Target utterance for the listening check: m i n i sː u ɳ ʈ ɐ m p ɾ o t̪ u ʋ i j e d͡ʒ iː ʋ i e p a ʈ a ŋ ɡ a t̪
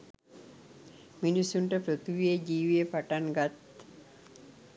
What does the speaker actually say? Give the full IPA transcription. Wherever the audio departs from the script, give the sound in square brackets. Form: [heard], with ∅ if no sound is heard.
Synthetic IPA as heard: m i n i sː u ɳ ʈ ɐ [∅] p ɾ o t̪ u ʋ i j e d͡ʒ iː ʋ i e p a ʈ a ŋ ɡ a t̪